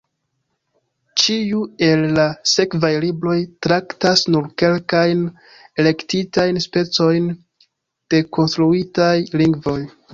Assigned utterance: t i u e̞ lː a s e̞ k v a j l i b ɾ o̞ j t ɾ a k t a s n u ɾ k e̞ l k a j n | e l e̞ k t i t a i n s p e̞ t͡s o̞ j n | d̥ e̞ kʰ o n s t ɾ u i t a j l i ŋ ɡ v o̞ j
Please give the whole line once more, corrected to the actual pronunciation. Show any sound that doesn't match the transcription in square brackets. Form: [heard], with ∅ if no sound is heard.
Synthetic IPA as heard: [t͡ʃ] i u e̞ lː a s e̞ k v a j l i b ɾ o̞ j t ɾ a k t a s n u ɾ k e̞ l k a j n | e l e̞ k t i t a [j] n s p e̞ t͡s o̞ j n | d̥ e̞ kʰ o n s t ɾ u i t a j l i ŋ ɡ v o̞ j